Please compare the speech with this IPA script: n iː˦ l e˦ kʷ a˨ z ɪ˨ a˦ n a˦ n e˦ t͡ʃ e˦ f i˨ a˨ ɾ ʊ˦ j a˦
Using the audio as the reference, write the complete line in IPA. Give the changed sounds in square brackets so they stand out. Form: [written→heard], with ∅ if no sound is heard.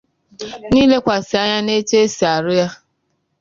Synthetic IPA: n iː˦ l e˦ kʷ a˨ [z→s] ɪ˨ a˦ [n→ɲ] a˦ n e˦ t͡ʃ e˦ [f→s] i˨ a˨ ɾ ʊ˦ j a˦